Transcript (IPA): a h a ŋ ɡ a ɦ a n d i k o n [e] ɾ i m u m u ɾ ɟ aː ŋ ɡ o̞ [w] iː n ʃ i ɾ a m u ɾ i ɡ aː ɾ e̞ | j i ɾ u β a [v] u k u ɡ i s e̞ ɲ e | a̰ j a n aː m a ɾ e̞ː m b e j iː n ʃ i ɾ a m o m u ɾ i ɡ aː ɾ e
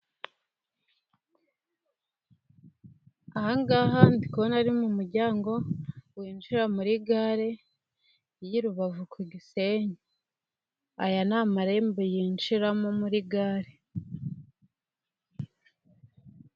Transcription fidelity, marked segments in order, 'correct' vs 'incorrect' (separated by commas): incorrect, correct, correct